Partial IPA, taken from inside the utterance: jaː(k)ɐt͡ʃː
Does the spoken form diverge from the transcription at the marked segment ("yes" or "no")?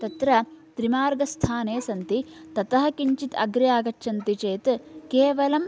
yes